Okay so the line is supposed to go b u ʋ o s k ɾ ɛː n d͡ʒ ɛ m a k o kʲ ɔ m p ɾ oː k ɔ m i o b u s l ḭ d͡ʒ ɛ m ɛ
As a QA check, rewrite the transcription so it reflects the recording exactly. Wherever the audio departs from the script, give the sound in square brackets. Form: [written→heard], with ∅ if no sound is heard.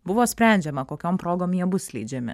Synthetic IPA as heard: b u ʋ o s [k→p] ɾ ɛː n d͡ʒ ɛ m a k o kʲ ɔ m p ɾ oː [k→ɡ] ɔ m i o b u s l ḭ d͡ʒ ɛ m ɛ

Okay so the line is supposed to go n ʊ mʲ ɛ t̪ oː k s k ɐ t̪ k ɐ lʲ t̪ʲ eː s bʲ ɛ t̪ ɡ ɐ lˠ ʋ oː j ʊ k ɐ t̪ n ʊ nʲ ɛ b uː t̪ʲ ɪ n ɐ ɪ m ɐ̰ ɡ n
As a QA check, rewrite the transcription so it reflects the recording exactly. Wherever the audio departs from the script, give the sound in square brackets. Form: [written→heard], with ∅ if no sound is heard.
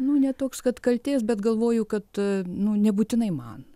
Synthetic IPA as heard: n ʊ [mʲ→nʲ] ɛ t̪ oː k s k ɐ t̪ k ɐ lʲ t̪ʲ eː s bʲ ɛ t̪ ɡ ɐ lˠ ʋ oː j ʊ k ɐ t̪ n ʊ nʲ ɛ b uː t̪ʲ ɪ n ɐ ɪ m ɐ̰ [ɡ→∅] n

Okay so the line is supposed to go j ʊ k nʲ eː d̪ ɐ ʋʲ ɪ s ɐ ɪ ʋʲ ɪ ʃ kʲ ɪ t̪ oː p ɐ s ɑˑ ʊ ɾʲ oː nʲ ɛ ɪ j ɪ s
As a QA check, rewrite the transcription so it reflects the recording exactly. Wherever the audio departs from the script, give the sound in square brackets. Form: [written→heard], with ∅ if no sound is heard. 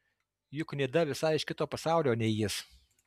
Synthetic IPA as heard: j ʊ k nʲ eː d̪ ɐ ʋʲ ɪ s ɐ ɪ [ʋʲ→∅] ɪ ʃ kʲ ɪ t̪ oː p ɐ s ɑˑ ʊ [ɾʲ→lʲ] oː nʲ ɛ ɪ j ɪ s

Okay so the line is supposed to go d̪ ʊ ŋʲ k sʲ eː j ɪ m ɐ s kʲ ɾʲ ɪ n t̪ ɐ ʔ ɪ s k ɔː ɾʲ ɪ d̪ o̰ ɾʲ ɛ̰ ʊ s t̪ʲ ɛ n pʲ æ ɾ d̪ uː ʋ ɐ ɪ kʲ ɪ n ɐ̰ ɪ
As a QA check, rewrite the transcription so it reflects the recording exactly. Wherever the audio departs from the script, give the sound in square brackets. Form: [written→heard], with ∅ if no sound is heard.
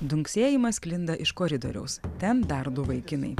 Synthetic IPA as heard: d̪ ʊ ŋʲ k sʲ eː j ɪ m ɐ s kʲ [ɾʲ→lʲ] ɪ n [t̪→d̪] ɐ ʔ ɪ [s→ʃ] k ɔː ɾʲ ɪ d̪ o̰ ɾʲ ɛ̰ ʊ s t̪ʲ ɛ n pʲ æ ɾ d̪ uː ʋ ɐ ɪ kʲ ɪ n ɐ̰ ɪ

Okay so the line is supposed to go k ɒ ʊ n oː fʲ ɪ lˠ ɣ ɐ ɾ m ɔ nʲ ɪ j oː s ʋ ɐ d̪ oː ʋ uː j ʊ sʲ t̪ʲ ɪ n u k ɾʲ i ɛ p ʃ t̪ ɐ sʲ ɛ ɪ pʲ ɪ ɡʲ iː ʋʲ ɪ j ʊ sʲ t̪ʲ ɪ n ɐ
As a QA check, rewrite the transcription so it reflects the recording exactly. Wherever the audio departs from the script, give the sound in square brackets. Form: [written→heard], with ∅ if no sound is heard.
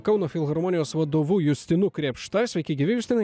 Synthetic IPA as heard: k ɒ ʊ n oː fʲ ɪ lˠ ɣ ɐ ɾ m ɔ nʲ ɪ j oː s ʋ ɐ d̪ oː ʋ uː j ʊ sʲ t̪ʲ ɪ n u k ɾʲ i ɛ p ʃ t̪ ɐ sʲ ɛ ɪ [pʲ→kʲ] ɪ ɡʲ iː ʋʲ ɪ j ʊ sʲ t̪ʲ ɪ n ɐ

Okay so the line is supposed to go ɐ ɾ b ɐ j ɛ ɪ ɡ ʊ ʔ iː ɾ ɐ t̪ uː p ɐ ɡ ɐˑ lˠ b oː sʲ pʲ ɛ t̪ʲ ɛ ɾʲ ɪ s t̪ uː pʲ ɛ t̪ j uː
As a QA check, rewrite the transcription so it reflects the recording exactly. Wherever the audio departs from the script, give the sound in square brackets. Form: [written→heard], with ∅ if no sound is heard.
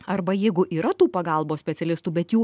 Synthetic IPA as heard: ɐ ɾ b ɐ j ɛ ɪ ɡ ʊ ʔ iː ɾ ɐ t̪ uː p ɐ ɡ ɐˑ lˠ b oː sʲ pʲ ɛ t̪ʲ ɛ [ɾʲ→lʲ] ɪ s t̪ uː [pʲ→bʲ] ɛ t̪ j uː

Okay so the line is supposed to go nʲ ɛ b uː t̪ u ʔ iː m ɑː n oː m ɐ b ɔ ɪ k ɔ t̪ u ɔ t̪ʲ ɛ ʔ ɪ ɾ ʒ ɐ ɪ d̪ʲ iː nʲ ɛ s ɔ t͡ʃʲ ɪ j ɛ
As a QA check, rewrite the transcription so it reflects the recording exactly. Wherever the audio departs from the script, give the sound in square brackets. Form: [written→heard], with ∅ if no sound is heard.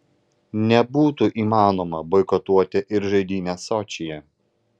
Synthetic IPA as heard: nʲ ɛ b uː t̪ u ʔ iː m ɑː n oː m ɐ b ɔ ɪ k ɔ t̪ u ɔ t̪ʲ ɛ ʔ ɪ ɾ ʒ ɐ ɪ d̪ʲ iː nʲ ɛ s ɔ t͡ʃʲ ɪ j ɛ

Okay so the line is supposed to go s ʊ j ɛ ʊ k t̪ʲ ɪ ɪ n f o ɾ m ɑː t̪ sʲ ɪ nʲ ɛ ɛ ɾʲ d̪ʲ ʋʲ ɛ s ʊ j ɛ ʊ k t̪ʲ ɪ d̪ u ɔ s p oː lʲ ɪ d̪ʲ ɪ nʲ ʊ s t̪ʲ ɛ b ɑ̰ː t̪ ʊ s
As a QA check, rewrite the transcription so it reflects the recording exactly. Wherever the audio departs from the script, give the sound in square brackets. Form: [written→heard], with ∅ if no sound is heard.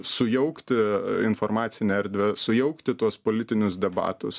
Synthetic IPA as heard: s ʊ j ɛ ʊ k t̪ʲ ɪ ɪ n f o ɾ m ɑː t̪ sʲ ɪ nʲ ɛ ɛ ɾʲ d̪ʲ ʋʲ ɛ s ʊ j ɛ ʊ k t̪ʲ ɪ [d̪→t̪] u ɔ s p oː lʲ ɪ [d̪ʲ→t̪ʲ] ɪ nʲ ʊ s [t̪ʲ→d̪ʲ] ɛ b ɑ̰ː t̪ ʊ s

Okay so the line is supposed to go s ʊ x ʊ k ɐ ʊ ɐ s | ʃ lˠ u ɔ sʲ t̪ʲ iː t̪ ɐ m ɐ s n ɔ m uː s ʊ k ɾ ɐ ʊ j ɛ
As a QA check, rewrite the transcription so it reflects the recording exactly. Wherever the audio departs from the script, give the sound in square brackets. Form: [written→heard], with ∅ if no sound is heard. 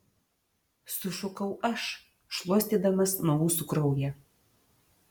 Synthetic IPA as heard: s ʊ [x→ʃ] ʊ k ɐ ʊ ɐ [s→ʃ] | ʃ lˠ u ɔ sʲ t̪ʲ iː [t̪→d̪] ɐ m ɐ s n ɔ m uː s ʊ k ɾ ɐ ʊ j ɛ

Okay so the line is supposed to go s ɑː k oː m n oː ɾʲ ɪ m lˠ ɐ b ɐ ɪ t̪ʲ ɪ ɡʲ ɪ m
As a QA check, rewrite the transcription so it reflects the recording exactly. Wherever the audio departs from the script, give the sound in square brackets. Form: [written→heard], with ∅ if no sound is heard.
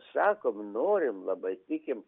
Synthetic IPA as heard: s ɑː k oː m n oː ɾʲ ɪ m lˠ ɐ b ɐ ɪ t̪ʲ ɪ [ɡʲ→kʲ] ɪ m

